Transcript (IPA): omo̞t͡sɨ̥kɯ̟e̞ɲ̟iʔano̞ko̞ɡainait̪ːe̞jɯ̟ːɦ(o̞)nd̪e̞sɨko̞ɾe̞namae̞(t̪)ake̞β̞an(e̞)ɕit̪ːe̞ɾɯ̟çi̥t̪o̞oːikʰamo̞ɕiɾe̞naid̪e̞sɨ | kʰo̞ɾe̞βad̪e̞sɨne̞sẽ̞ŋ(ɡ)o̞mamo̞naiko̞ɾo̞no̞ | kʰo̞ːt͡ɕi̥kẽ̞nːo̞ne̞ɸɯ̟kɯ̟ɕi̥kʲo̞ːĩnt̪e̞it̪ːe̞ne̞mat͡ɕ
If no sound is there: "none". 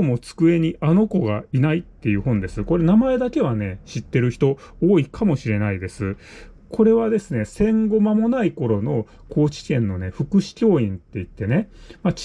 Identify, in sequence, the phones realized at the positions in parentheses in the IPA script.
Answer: õ̞, d̪, e̞, ɡ

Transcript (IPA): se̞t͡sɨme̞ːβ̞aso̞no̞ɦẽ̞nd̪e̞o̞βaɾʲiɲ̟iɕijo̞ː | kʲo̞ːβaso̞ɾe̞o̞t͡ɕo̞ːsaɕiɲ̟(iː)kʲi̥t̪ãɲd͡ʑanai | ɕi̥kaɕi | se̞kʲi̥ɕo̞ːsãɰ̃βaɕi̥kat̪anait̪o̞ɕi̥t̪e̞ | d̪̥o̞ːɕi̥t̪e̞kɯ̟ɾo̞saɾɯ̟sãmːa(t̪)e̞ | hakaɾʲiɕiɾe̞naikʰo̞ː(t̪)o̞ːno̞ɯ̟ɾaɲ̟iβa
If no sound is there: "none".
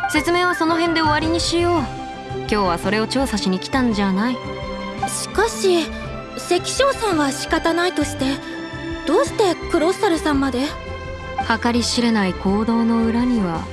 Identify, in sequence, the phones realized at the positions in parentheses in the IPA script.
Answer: i, d̪, d̪

